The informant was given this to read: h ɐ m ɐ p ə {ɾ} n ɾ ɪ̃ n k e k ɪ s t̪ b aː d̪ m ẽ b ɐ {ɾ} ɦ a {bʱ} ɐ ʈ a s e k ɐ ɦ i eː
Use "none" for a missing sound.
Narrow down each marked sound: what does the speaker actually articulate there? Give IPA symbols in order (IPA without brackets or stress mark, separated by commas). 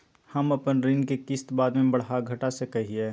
none, ɽ, ɡʱ